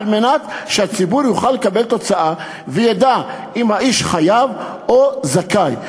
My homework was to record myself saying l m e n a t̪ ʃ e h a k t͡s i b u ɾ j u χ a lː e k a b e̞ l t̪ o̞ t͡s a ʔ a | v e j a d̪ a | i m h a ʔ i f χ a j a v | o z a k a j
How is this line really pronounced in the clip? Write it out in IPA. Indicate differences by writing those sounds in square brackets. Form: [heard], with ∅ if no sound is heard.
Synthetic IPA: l m e n a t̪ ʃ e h a [∅] t͡s i b u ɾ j u χ a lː e k a b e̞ l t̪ o̞ t͡s a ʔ a | v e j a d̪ a | i m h a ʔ i [ʃ] χ a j a v | o z a k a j